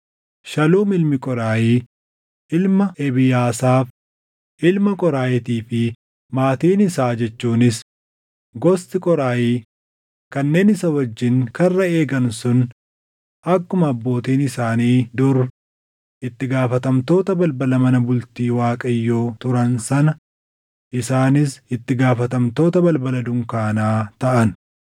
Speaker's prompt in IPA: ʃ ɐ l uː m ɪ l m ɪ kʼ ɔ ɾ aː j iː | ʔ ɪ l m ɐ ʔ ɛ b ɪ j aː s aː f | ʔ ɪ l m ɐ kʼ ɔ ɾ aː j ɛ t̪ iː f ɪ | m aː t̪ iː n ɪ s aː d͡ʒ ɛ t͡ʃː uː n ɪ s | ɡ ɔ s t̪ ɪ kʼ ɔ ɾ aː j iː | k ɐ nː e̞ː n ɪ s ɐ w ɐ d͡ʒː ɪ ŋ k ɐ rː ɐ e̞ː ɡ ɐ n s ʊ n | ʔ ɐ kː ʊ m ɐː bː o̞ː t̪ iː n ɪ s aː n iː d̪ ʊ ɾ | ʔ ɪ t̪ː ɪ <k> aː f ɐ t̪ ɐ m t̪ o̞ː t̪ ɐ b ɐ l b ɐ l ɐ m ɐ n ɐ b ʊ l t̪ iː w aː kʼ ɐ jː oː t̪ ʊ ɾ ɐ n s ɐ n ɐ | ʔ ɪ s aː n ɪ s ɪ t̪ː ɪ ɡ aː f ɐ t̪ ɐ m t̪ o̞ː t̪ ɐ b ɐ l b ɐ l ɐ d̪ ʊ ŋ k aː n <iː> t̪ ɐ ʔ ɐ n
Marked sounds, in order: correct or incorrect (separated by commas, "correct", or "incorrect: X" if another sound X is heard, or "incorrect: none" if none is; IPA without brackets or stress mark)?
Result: incorrect: ɡ, incorrect: aː